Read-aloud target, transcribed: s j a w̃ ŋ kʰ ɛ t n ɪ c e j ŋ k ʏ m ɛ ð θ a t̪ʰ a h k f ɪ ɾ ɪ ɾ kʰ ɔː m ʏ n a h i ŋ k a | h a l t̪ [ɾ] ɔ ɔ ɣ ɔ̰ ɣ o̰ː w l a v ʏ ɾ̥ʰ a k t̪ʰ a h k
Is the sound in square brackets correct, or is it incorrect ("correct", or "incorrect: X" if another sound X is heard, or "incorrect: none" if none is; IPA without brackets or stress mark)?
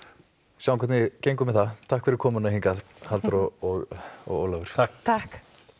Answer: correct